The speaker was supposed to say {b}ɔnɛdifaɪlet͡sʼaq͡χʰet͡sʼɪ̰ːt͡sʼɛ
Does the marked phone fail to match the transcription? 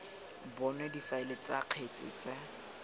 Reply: no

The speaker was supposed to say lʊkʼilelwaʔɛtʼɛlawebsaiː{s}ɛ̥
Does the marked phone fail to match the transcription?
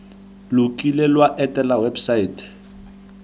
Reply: yes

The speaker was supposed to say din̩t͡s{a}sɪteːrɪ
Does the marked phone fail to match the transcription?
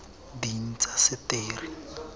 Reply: no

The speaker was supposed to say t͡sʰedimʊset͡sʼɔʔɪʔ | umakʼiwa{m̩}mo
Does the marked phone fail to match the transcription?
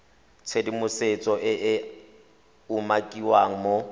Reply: yes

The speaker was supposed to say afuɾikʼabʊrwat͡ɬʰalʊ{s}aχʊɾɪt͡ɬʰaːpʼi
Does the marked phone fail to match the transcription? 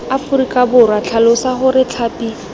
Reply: no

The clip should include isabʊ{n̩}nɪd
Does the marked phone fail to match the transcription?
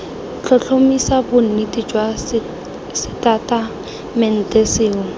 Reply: no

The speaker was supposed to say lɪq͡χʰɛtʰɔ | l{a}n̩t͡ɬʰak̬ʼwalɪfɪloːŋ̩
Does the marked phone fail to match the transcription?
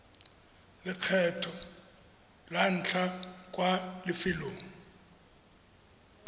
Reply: no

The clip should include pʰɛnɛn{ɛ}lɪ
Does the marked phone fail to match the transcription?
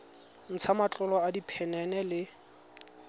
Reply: no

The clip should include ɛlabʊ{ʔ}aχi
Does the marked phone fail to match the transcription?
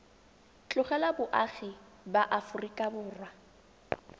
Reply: no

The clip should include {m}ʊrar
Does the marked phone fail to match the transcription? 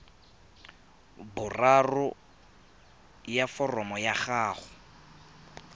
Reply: yes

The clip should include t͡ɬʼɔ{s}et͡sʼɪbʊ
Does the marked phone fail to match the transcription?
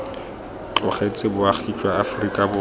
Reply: yes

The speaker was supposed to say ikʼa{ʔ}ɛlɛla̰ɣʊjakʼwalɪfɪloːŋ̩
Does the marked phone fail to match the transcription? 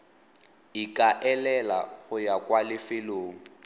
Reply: no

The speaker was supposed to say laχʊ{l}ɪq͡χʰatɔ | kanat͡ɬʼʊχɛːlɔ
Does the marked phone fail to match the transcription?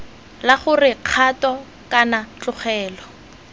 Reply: yes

